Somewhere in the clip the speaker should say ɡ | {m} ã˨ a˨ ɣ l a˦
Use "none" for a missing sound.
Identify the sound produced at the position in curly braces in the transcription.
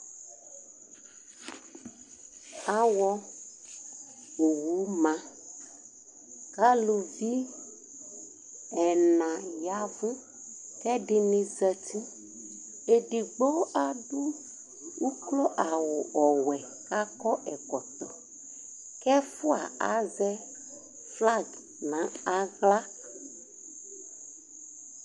n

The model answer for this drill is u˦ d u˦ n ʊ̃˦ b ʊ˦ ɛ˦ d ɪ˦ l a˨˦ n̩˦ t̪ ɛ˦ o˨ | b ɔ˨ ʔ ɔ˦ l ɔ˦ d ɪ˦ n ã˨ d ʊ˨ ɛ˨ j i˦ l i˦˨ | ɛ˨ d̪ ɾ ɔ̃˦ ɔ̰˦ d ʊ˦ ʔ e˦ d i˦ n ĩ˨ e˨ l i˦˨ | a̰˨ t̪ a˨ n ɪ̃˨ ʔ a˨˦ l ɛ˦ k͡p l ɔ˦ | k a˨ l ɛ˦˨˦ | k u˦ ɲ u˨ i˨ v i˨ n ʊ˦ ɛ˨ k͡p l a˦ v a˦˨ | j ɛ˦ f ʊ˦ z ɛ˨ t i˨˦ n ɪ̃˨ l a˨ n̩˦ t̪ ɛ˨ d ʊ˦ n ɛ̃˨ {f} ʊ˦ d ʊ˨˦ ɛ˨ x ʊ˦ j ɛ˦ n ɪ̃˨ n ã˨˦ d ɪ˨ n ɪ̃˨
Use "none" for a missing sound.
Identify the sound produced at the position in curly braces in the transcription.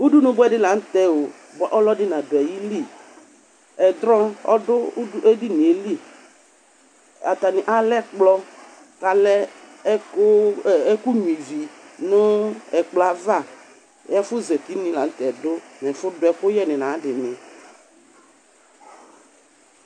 f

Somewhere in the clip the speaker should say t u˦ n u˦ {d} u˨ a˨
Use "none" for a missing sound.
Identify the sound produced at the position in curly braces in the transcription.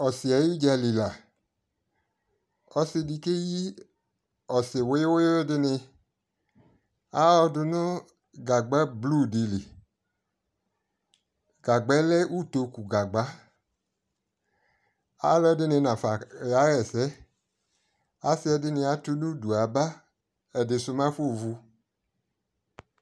d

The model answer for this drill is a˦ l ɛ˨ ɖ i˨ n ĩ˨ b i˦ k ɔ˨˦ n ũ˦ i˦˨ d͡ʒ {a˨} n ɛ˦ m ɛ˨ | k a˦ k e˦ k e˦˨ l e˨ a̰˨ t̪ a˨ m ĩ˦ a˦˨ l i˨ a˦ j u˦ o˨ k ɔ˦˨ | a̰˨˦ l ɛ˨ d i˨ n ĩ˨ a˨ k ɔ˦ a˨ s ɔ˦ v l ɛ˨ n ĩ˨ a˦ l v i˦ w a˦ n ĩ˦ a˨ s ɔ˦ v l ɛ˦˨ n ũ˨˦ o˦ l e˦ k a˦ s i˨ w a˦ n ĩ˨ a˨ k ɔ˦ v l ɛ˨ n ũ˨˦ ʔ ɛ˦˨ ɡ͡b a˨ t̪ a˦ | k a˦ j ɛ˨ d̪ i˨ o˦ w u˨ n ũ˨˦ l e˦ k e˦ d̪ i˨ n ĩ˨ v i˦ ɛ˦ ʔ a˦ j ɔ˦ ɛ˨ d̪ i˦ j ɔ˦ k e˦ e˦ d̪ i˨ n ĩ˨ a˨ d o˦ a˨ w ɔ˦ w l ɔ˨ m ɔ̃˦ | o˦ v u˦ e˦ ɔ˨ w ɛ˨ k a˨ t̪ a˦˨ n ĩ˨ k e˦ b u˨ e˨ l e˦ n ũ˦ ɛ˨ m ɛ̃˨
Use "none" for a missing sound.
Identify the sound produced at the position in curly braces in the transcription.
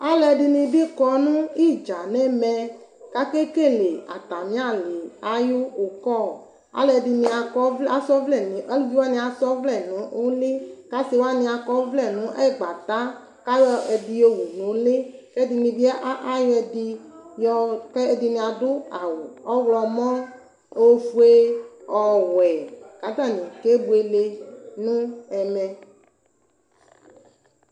a˨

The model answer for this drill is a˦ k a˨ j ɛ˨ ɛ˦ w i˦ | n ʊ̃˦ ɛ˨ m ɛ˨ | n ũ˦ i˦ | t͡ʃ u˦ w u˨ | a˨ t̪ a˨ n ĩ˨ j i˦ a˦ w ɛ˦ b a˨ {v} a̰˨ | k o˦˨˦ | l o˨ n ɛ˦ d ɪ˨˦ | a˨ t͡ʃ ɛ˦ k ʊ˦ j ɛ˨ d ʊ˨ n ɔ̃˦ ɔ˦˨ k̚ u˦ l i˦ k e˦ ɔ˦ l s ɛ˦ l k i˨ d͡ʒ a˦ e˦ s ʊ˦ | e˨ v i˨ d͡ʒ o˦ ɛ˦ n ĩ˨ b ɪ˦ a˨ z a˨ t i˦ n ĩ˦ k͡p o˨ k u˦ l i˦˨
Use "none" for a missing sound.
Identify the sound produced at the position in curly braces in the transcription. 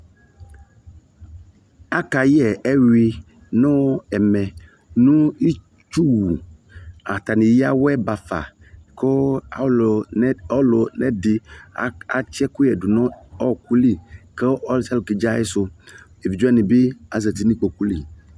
f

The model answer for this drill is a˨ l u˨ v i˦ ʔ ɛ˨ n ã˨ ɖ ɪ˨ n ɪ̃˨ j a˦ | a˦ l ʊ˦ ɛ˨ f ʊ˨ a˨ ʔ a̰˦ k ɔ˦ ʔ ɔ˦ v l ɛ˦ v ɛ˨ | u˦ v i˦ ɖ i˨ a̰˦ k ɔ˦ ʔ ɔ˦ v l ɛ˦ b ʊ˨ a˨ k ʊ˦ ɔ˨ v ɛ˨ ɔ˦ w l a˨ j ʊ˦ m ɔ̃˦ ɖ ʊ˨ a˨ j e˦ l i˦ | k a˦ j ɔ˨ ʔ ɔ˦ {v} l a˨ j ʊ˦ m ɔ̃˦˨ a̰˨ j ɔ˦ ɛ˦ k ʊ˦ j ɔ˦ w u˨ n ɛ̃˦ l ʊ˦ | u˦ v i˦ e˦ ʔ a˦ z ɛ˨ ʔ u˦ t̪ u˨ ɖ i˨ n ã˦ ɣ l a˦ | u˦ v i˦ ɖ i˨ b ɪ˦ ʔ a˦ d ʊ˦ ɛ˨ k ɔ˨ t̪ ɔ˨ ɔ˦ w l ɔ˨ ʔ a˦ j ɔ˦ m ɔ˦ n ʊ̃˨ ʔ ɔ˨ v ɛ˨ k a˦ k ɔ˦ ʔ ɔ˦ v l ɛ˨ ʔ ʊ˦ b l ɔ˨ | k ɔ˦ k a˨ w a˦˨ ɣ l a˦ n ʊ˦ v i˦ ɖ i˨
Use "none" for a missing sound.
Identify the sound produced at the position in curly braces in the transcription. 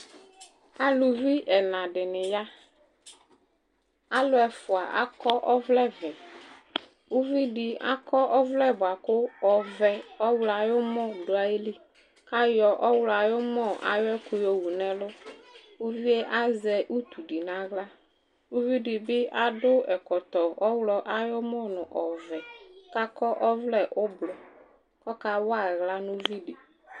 w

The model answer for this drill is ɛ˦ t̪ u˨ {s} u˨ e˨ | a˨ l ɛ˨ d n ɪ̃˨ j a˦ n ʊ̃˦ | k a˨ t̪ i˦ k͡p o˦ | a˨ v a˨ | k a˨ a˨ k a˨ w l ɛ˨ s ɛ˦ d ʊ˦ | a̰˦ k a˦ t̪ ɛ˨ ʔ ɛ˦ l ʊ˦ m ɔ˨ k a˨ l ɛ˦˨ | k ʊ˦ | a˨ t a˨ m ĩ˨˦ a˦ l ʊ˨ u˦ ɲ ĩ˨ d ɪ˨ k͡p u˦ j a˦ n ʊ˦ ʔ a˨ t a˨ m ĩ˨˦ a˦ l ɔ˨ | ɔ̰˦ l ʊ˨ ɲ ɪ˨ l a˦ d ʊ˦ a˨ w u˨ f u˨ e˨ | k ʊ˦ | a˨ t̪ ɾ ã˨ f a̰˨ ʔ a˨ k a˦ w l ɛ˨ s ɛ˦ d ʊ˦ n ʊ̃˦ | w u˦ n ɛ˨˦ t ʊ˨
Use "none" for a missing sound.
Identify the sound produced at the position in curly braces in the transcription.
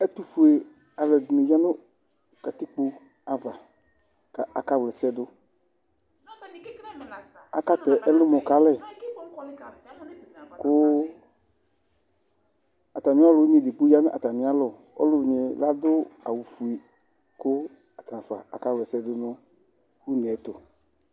f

